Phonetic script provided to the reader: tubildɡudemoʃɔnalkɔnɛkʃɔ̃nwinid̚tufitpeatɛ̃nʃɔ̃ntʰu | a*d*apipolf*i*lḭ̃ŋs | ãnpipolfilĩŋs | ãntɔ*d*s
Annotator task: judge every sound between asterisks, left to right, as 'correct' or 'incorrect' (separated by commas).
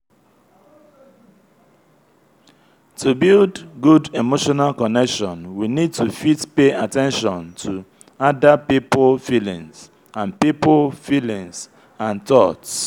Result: correct, correct, incorrect